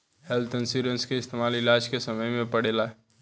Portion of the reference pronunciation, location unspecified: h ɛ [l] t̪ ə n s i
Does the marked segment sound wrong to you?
no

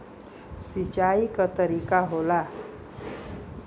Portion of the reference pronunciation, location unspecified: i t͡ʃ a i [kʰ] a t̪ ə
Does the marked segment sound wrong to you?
yes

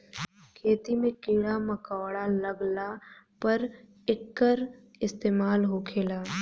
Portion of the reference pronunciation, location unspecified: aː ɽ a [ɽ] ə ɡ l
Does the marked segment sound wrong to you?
yes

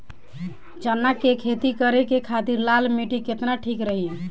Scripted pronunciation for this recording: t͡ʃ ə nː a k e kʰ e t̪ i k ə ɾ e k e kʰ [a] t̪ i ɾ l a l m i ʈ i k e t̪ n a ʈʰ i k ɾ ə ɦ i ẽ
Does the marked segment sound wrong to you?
no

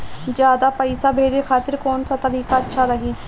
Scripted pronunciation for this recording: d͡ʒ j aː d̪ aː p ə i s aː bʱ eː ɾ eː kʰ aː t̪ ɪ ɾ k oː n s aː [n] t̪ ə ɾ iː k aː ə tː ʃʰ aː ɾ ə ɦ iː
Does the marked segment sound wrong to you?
yes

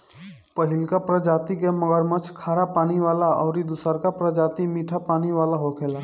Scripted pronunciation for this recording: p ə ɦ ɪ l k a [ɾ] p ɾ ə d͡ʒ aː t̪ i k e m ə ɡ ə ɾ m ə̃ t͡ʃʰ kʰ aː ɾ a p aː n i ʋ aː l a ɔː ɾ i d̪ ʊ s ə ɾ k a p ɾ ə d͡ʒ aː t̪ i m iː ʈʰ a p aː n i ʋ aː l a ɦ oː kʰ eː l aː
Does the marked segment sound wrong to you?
yes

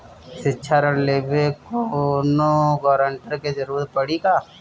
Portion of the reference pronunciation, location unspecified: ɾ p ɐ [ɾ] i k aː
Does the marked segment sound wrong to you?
yes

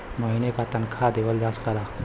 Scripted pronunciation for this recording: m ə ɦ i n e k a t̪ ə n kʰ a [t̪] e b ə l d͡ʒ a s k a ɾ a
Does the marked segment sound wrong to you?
yes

